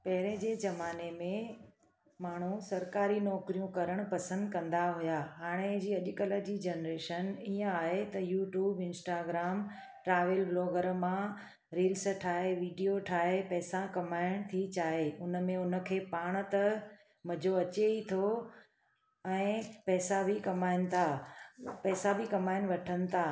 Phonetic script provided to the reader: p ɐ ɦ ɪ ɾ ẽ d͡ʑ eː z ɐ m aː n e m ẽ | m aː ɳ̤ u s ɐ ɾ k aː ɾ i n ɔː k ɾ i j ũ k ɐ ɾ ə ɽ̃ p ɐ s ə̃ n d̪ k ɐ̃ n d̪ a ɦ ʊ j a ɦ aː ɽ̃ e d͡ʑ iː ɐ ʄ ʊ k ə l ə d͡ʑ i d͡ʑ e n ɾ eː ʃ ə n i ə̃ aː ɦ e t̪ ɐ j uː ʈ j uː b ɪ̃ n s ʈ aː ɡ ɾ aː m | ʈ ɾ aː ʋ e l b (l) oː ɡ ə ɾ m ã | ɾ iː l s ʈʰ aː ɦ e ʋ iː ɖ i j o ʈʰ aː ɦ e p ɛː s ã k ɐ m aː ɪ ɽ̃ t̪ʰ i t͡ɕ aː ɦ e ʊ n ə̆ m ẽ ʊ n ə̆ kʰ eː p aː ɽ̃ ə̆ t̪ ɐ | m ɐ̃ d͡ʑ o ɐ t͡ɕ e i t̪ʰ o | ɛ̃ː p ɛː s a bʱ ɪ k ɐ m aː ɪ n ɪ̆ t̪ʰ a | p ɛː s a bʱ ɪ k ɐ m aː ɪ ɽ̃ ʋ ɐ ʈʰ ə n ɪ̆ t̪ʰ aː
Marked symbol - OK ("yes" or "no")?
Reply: yes